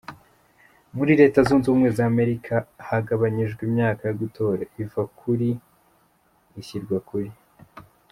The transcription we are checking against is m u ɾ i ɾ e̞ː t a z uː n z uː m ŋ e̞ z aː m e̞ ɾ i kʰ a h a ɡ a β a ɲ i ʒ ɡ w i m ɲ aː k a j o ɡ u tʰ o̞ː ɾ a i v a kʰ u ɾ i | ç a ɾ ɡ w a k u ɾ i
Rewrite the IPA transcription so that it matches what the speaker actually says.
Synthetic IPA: m u ɾ i ɾ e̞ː t a z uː n z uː m ŋ e̞ z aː m e̞ ɾ i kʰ a h a ɡ a β a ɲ i ʒ ɡ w i m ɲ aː k a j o ɡ u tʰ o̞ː ɾ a i v a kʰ u ɾ i | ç i ɾ ɡ w a k u ɾ i